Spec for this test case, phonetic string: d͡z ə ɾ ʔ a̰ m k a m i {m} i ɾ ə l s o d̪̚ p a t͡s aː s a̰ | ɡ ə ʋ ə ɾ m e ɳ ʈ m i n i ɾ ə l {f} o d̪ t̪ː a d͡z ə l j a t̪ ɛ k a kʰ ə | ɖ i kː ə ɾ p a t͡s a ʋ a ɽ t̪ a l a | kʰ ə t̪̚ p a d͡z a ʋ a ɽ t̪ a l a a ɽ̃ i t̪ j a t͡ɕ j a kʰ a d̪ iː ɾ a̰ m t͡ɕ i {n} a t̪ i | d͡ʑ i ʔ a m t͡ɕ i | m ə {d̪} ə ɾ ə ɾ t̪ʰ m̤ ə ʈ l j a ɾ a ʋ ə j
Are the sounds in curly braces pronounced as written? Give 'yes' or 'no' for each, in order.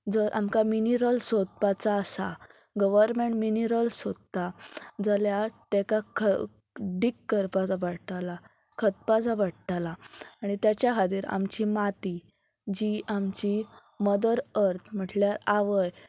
no, no, no, yes

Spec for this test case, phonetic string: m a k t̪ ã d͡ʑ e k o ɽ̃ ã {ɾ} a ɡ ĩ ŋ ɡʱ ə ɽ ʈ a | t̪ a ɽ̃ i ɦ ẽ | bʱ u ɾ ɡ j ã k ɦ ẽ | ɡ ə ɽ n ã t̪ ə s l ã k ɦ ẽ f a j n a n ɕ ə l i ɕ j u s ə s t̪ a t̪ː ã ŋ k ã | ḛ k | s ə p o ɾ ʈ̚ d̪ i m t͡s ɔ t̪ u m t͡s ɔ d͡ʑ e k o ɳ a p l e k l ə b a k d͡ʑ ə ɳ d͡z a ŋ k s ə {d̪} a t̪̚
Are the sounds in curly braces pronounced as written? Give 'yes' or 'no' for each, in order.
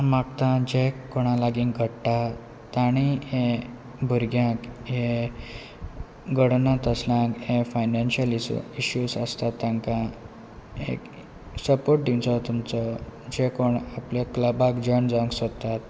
no, no

